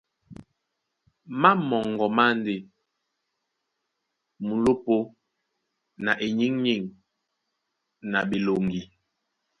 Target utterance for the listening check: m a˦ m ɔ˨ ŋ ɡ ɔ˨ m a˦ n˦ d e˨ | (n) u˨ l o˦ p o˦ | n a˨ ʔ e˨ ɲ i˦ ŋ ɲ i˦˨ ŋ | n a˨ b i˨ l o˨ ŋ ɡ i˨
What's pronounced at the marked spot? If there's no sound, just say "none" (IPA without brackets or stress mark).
m